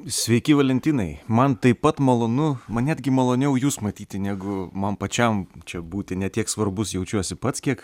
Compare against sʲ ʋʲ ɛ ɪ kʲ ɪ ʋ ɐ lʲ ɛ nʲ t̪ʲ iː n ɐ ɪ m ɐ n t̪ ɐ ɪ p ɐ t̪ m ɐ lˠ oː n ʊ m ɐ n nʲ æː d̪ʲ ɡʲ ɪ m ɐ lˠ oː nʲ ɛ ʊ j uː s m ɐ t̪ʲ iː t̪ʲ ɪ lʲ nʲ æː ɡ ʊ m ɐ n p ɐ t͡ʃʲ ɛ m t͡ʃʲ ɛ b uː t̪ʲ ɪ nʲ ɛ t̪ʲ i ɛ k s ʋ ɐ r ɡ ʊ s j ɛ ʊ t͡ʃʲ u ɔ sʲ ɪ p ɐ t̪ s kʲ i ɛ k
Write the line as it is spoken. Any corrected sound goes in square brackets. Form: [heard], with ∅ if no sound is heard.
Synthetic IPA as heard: sʲ ʋʲ ɛ ɪ kʲ ɪ ʋ ɐ lʲ ɛ nʲ t̪ʲ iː n ɐ ɪ m ɐ n t̪ ɐ ɪ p ɐ t̪ m ɐ lˠ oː n ʊ m ɐ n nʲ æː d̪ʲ ɡʲ ɪ m ɐ lˠ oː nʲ ɛ ʊ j uː s m ɐ t̪ʲ iː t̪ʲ ɪ [∅] nʲ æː ɡ ʊ m ɐ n p ɐ t͡ʃʲ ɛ m t͡ʃʲ ɛ b uː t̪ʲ ɪ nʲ ɛ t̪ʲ i ɛ k s ʋ ɐ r [b] ʊ s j ɛ ʊ t͡ʃʲ u ɔ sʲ ɪ p ɐ t̪ s kʲ i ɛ k